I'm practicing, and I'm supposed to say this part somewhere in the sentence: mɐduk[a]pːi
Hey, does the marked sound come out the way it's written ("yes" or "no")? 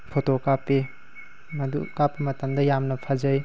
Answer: yes